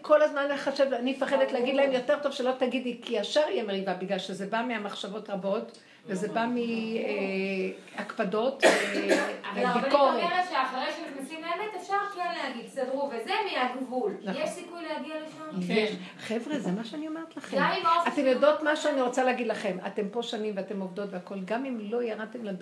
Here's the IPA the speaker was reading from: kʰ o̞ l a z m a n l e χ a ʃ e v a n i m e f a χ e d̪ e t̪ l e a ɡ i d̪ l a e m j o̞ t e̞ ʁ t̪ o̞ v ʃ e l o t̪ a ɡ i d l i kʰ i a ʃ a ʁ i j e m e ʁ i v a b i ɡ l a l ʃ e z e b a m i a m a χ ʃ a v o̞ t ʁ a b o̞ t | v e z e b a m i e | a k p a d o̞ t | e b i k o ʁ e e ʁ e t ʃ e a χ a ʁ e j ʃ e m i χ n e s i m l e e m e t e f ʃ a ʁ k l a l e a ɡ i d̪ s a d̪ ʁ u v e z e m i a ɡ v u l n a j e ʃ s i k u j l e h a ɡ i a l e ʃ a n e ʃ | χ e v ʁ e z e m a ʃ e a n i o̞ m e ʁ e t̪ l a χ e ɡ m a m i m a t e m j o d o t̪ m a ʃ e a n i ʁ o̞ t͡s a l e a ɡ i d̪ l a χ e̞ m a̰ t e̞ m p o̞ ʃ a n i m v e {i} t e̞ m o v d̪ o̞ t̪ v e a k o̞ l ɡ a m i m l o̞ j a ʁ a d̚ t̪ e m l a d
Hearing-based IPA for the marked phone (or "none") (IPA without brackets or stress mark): a